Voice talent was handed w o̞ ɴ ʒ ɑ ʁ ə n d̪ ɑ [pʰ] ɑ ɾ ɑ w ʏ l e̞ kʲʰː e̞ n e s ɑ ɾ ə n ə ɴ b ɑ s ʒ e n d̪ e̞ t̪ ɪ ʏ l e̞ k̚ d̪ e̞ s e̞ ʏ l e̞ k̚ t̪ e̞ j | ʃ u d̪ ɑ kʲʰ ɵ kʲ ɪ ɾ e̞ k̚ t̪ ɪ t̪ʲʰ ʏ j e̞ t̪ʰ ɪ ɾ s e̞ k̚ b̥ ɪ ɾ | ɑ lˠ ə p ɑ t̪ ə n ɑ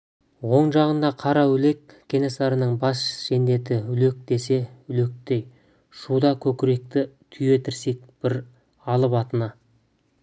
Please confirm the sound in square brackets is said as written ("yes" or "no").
no